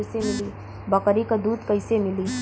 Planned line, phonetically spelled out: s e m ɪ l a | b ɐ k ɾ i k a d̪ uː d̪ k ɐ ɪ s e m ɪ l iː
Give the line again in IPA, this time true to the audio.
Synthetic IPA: s e m ɪ l i | b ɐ k ɾ i k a d̪ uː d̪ k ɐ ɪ s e m ɪ l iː